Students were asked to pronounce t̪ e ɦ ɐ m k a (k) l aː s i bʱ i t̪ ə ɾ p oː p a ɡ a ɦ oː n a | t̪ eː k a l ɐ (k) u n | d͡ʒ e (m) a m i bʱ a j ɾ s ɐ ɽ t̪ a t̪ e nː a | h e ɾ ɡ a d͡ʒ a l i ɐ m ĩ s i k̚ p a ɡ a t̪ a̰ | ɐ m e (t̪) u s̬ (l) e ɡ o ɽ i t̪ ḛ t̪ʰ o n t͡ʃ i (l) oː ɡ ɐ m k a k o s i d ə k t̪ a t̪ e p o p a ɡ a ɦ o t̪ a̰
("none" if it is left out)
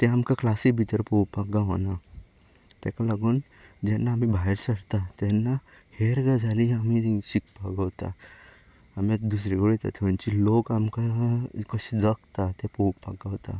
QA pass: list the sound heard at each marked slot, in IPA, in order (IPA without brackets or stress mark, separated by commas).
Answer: k, ɡ, n, d̪, ɾ, l